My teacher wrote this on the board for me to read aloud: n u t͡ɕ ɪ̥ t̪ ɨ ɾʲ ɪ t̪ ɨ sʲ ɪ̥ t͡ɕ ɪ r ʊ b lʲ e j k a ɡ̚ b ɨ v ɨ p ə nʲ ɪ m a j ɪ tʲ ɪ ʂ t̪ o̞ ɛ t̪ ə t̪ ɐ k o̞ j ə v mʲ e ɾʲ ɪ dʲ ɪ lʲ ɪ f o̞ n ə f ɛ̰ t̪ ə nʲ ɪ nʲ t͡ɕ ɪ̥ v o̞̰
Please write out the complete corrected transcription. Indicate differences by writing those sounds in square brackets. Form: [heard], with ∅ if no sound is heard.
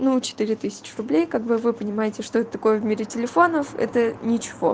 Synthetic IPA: n u t͡ɕ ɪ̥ t̪ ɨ ɾʲ ɪ t̪ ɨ sʲ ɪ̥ t͡ɕ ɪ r ʊ b lʲ e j k a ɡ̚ b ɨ v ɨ p ə nʲ ɪ m a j ɪ tʲ ɪ ʂ t̪ o̞ ɛ t̪ ə t̪ ɐ k o̞ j ə v mʲ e ɾʲ ɪ [tʲ] ɪ lʲ ɪ f o̞ n ə f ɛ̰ t̪ ə nʲ ɪ [∅] t͡ɕ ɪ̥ v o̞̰